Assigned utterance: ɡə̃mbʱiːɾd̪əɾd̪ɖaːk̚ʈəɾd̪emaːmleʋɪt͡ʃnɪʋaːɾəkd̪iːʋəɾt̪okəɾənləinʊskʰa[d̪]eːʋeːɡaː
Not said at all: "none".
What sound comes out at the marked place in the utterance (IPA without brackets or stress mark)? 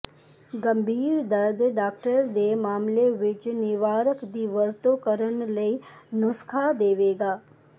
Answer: d̪